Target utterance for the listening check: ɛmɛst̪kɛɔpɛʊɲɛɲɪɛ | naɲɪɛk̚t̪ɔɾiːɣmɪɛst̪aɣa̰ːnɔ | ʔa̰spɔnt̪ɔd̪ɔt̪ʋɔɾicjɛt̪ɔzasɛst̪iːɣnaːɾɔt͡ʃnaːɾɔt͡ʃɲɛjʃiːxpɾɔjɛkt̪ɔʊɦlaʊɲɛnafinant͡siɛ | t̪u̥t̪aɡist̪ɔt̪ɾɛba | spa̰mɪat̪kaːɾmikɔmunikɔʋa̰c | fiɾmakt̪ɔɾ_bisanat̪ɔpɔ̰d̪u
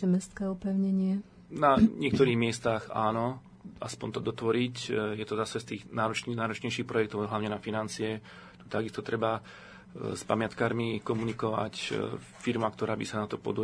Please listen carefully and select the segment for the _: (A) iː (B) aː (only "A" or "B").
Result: B